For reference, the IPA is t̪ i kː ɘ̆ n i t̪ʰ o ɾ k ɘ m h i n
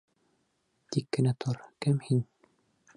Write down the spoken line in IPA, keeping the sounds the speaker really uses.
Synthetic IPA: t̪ i kː ɘ̆ n æ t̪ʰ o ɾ k ɘ m h i n

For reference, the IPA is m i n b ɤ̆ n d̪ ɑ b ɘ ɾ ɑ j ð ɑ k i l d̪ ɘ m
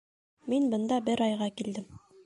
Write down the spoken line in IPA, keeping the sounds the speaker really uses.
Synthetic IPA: m i n b ɤ̆ n d̪ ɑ b ɘ ɾ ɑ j ʁ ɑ k i l d̪ ɘ m

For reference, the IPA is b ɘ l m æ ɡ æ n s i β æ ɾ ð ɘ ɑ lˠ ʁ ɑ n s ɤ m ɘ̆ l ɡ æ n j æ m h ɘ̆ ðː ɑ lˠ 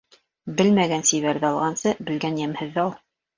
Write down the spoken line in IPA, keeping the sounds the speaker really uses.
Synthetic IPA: b ɘ l m æ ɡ æ n s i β æ ɾ ð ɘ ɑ lˠ ʁ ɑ n s ɤ b ɘ̆ l ɡ æ n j æ m h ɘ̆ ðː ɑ lˠ

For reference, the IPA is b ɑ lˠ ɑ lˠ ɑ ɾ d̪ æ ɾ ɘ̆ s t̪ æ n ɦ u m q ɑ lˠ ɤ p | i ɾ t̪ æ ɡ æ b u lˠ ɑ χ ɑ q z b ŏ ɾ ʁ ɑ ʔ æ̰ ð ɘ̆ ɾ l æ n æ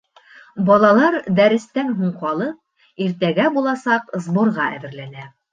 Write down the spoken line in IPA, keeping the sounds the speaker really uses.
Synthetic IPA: b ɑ lˠ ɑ lˠ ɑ ɾ d̪ æ ɾ ɘ̆ s t̪ æ n ɦ u ɴ q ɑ lˠ ɤ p | i ɾ t̪ æ ɡ æ b u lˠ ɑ s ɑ q z b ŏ ɾ ʁ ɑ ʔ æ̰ ð ɘ̆ ɾ l æ n æ

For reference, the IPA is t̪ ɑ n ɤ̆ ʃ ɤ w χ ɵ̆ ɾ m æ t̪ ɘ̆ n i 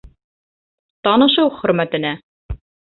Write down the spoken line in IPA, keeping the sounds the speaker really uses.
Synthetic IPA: t̪ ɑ n ɤ̆ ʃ ɤ w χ ɵ̆ ɾ m æ t̪ ɘ̆ n æ

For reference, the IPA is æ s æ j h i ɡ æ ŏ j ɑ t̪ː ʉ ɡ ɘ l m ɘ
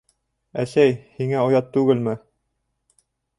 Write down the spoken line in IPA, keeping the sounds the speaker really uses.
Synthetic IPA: æ s æ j h i ŋ æ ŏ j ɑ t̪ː ʉ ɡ ɘ l m ɘ

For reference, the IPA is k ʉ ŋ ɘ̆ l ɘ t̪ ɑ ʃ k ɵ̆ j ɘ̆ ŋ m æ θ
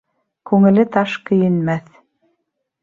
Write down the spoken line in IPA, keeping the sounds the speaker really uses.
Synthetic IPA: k ʉ ŋ ɘ̆ l ɘ t̪ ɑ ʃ k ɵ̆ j ɘ̆ n m æ θ

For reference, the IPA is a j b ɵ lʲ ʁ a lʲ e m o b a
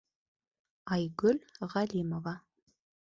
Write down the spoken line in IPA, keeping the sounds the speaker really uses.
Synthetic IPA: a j ɡ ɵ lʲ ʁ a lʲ i m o v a

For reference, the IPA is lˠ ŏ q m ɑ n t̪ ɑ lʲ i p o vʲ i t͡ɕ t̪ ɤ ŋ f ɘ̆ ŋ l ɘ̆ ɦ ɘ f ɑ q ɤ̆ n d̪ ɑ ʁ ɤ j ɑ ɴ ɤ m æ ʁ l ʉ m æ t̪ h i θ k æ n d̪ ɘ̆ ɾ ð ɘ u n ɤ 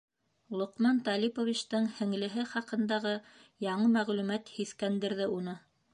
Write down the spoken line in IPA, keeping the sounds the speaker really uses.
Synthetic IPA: lˠ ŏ q m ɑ n t̪ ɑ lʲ i p o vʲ i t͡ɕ t̪ ɤ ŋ h ɘ̆ ŋ l ɘ̆ ɦ ɘ χ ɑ q ɤ̆ n d̪ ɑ ʁ ɤ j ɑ ɴ ɤ m æ ʁ l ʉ m æ t̪ h i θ k æ n d̪ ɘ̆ ɾ ð ɘ u n ɤ

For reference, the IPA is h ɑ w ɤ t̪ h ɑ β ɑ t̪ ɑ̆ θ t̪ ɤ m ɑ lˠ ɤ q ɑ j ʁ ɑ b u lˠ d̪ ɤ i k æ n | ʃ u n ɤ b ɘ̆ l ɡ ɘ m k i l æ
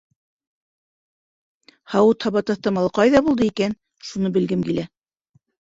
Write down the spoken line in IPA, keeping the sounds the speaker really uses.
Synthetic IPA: h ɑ w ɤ t̪ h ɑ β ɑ t̪ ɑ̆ θ t̪ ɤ m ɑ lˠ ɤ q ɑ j ð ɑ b u lˠ d̪ ɤ i k æ n | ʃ u n ɤ b ɘ̆ l ɡ ɘ m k i l æ

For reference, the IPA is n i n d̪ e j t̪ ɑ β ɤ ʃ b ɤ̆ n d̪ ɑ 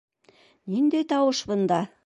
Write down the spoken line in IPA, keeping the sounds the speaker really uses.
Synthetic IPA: n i n d̪ e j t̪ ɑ w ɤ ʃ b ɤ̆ n d̪ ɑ

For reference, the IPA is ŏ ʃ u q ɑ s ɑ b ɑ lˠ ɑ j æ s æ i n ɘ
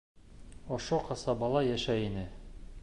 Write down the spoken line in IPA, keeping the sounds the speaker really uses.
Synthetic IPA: ŏ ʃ o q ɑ s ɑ b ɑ lˠ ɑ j æ ʃ æ i n ɘ

